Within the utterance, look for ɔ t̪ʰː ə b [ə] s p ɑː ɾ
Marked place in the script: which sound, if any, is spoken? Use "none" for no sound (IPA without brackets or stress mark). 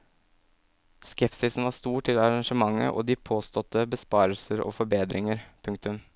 ə